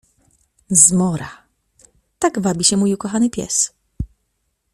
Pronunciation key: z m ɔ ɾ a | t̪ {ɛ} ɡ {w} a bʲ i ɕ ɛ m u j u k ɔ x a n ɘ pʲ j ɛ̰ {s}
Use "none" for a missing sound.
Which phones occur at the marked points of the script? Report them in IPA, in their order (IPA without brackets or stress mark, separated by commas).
a, v, s